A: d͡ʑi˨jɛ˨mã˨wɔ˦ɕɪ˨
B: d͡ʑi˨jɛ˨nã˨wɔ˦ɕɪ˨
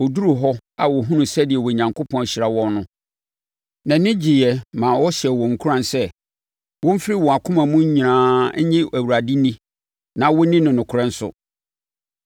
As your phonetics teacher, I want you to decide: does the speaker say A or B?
A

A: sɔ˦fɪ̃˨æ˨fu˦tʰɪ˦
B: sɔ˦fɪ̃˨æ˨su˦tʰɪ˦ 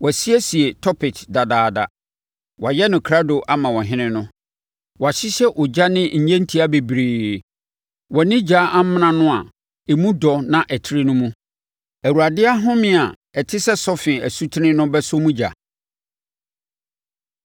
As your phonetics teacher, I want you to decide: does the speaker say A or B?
B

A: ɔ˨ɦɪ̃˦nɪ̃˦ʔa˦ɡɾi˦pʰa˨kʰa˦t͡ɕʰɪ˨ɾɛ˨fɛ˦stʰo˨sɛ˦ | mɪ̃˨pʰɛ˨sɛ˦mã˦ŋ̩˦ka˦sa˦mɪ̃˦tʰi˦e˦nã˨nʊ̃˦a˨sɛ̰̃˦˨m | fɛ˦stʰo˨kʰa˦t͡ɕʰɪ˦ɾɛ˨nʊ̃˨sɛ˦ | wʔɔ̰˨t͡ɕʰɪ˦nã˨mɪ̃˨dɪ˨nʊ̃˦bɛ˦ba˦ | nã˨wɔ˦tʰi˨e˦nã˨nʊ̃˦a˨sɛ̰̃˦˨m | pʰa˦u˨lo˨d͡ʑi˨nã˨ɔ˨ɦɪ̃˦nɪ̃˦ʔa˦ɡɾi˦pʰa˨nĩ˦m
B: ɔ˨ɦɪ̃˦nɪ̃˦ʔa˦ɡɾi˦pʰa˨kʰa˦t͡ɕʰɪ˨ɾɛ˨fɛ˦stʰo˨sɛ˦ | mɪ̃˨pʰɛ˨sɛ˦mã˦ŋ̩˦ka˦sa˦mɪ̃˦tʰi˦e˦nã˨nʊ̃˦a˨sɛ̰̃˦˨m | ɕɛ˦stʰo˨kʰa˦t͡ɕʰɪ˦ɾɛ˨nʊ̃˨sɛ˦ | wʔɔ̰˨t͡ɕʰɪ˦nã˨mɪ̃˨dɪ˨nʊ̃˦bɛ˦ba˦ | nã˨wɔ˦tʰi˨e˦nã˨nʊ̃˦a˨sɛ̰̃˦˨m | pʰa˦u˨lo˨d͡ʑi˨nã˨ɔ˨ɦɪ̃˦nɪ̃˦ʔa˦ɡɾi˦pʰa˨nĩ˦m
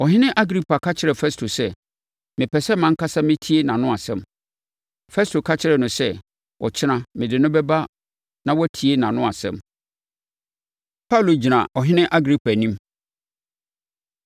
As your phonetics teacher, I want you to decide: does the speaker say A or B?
A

